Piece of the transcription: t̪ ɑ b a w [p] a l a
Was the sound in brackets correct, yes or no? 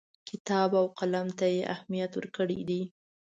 no